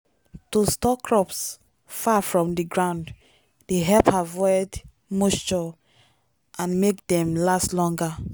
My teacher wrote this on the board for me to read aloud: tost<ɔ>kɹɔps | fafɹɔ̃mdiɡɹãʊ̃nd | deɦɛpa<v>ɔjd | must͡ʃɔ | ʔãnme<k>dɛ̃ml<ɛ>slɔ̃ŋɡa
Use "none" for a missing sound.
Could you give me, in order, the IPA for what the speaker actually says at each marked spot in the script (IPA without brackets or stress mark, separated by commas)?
ɔ, v, k, a